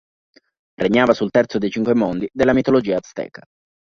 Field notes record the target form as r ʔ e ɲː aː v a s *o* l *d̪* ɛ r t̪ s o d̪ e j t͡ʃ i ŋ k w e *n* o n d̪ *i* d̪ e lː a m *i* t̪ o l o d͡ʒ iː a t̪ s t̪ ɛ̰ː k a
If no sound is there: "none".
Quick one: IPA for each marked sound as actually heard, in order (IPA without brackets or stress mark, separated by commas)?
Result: u, t̪, m, i, i